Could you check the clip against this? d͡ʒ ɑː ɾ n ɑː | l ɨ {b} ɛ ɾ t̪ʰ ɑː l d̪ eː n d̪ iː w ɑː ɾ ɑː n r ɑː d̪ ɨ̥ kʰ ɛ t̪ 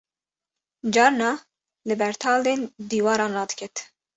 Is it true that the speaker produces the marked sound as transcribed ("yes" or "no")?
yes